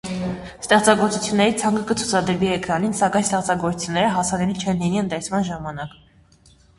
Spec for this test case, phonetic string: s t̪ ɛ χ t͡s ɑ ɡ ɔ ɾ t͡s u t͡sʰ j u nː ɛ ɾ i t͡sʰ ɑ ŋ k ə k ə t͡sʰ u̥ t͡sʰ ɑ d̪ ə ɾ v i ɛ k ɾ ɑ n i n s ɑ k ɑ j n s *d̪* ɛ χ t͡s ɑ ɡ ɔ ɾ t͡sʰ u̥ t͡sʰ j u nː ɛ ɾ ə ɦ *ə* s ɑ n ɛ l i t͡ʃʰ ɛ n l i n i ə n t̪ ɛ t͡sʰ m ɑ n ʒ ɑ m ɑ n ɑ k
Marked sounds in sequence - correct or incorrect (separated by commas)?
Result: incorrect, incorrect